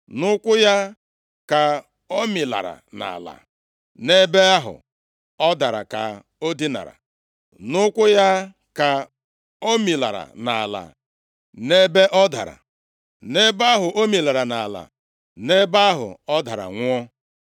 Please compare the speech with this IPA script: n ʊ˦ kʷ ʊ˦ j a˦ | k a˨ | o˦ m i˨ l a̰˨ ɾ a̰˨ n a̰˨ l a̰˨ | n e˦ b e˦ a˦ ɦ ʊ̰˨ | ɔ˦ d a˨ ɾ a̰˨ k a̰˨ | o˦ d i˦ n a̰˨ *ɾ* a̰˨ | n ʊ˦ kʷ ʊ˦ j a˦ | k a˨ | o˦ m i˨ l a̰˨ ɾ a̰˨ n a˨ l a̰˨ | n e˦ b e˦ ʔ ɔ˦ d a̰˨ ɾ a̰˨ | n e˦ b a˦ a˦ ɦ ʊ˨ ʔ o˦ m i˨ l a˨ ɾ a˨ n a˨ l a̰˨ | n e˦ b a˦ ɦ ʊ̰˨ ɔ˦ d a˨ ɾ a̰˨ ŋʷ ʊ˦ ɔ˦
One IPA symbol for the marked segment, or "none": ɾ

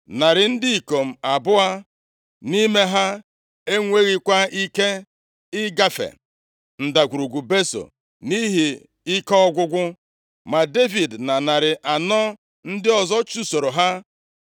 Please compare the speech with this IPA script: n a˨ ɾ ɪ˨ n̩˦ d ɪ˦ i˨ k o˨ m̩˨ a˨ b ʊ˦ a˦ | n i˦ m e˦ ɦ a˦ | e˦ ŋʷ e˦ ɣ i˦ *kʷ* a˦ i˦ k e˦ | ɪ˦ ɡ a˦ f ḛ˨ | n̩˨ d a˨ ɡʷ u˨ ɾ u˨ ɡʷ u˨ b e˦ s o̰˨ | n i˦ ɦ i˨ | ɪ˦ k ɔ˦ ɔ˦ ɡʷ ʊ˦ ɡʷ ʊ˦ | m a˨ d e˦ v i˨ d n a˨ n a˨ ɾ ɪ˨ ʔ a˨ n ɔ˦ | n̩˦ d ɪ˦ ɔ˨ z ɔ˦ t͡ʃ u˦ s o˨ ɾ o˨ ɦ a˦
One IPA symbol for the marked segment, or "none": kʷ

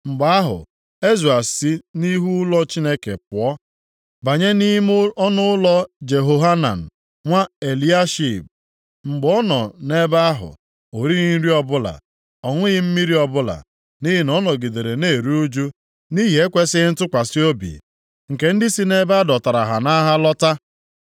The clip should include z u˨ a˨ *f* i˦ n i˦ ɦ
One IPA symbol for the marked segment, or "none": s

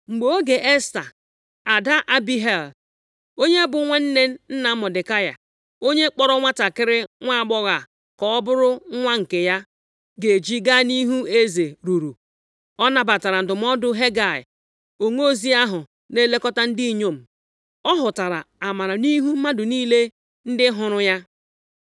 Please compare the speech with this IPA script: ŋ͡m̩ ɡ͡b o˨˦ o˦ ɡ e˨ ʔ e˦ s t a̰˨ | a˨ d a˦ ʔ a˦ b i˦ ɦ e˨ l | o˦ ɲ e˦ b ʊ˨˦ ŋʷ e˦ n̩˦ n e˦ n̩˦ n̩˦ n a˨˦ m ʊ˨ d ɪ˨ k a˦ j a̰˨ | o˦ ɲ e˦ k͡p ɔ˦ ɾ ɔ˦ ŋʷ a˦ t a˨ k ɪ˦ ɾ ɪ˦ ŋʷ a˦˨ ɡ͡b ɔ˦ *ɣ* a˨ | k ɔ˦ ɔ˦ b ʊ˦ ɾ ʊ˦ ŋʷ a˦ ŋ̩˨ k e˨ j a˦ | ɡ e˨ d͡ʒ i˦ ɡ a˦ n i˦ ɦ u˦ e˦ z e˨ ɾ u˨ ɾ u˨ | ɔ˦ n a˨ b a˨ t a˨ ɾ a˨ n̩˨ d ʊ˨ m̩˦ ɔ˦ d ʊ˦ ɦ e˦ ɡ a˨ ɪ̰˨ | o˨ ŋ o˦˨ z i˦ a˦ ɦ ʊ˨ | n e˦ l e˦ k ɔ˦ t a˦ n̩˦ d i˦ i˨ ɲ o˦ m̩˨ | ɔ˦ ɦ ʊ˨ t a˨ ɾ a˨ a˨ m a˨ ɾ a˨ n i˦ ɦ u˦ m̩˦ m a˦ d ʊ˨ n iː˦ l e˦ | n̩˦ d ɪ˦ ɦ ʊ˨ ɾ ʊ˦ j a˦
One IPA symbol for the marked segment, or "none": ɣ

